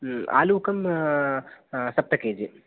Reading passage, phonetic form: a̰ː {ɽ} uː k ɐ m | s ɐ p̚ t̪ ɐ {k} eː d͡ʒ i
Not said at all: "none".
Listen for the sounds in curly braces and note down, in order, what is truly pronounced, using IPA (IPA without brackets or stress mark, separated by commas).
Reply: l, k